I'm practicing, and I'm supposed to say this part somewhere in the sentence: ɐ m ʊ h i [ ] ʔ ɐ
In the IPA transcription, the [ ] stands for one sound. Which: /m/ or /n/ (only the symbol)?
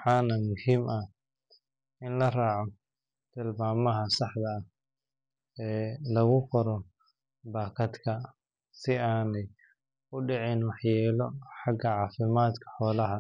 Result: m